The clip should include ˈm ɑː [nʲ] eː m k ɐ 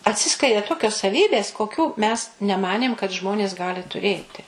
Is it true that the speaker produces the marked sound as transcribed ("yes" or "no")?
yes